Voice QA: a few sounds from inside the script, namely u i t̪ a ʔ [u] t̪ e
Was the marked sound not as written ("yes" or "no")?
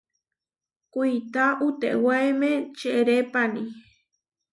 no